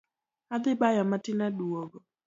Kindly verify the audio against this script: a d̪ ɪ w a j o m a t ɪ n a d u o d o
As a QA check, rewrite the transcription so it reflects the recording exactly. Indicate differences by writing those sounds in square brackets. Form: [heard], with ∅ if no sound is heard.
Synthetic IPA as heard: a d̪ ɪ [b] a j [ɔ] m a t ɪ n a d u o [ɡ] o